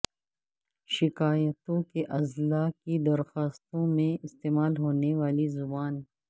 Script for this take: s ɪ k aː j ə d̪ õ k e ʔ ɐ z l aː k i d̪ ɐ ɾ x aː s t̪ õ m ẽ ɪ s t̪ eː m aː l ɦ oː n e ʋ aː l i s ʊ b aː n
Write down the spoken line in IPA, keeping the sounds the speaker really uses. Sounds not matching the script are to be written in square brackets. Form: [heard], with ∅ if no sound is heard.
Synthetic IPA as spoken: [ʃ] ɪ k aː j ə [t̪] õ k e ʔ ɐ z l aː k i d̪ ɐ ɾ x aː s t̪ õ m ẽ ɪ s t̪ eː m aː l ɦ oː n e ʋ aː l i [z] ʊ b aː n